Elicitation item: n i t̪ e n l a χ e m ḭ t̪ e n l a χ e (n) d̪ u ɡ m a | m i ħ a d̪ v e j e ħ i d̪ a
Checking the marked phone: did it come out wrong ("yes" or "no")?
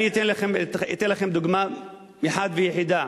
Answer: yes